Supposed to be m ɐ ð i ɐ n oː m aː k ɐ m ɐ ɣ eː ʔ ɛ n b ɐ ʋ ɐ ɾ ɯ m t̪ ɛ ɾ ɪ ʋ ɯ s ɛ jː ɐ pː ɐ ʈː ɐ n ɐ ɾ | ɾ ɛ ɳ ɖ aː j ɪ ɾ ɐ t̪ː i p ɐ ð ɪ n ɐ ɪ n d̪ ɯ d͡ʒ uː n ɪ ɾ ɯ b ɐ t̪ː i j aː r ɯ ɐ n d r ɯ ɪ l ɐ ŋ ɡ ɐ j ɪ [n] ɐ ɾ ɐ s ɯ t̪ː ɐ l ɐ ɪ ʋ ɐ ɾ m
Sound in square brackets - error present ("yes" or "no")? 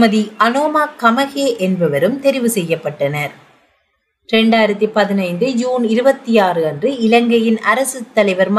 no